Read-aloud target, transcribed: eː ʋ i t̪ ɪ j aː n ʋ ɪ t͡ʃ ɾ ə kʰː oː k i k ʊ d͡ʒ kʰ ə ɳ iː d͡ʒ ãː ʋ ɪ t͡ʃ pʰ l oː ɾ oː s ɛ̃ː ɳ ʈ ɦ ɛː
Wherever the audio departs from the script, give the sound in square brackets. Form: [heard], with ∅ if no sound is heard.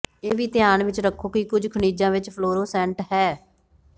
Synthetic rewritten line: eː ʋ [iː] t̪ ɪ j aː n ʋ ɪ t͡ʃ ɾ ə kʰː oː k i k ʊ d͡ʒ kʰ ə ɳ iː d͡ʒ ãː ʋ ɪ t͡ʃ pʰ l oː ɾ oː s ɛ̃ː ɳ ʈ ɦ ɛː